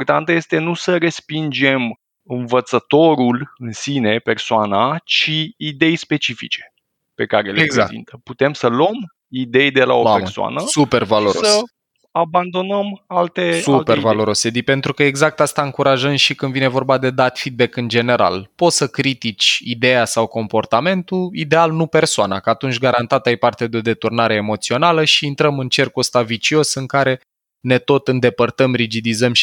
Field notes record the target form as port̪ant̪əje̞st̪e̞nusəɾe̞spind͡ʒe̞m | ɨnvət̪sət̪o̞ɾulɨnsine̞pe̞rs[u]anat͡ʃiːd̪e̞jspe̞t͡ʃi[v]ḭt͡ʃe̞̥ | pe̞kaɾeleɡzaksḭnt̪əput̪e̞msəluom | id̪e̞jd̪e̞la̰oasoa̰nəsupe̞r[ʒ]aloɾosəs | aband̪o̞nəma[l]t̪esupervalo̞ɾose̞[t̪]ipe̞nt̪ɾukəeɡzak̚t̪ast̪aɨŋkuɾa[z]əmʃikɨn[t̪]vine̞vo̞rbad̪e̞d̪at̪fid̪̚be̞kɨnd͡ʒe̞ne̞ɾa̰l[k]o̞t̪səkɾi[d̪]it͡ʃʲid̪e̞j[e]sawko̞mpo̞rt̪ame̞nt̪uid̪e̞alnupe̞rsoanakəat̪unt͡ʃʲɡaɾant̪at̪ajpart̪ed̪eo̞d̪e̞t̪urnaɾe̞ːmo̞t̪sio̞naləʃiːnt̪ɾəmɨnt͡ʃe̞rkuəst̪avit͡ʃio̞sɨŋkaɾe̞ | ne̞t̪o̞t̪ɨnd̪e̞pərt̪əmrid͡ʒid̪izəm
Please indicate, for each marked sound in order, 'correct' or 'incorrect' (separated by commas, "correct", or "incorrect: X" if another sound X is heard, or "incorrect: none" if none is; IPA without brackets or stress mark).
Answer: incorrect: o, incorrect: f, incorrect: v, correct, incorrect: d̪, incorrect: ʒ, incorrect: d̪, incorrect: p, incorrect: t̪, incorrect: a